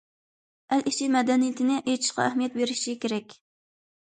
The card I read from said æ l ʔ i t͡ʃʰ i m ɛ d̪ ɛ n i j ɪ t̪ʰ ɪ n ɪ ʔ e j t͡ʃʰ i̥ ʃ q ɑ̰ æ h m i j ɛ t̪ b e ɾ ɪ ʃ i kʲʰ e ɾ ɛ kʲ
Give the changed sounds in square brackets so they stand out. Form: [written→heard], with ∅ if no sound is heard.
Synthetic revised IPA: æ l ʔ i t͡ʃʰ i m ɛ d̪ ɛ n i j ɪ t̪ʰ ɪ n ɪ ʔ e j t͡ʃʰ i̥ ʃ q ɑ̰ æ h m i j ɛ t̪ b e ɾ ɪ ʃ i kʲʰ e ɾ ɛ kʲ